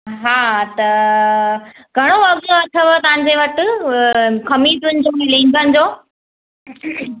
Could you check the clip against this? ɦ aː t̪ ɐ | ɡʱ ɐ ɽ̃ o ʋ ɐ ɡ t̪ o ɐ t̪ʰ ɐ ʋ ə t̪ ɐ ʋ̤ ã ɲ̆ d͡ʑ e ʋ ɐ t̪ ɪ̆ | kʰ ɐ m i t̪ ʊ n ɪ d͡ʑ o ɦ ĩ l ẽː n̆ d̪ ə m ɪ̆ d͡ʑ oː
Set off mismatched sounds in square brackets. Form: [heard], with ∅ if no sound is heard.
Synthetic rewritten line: ɦ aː t̪ ɐ | ɡʱ ɐ ɽ̃ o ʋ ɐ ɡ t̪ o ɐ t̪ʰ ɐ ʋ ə t̪ ɐ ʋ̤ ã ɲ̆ d͡ʑ e ʋ ɐ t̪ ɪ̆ | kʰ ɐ m i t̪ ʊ n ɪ d͡ʑ o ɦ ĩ l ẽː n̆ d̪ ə [n] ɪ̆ d͡ʑ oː